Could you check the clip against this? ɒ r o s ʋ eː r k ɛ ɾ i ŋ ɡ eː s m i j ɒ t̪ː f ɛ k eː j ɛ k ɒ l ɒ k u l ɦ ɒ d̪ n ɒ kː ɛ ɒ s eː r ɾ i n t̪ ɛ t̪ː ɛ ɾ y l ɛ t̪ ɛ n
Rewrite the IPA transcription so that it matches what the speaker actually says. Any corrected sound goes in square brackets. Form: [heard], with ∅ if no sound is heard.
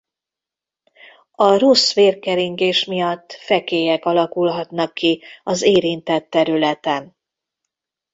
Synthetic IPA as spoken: ɒ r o s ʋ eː r k ɛ ɾ i ŋ ɡ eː [ʃ] m i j ɒ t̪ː f ɛ k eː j ɛ k ɒ l ɒ k u l ɦ ɒ [t̪] n ɒ kː [i] ɒ [z] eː [∅] ɾ i n t̪ ɛ t̪ː ɛ ɾ y l ɛ t̪ ɛ n